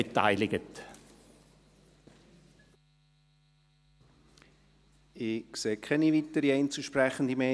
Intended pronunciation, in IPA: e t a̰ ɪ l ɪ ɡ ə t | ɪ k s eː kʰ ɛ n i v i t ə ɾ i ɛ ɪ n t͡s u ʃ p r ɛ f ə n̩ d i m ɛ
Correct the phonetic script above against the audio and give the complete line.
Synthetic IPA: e t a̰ ɪ l ɪ ɡ ə t | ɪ k s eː kʰ ɛ n i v i t ə ɾ i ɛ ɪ n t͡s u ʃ p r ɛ χ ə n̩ d i m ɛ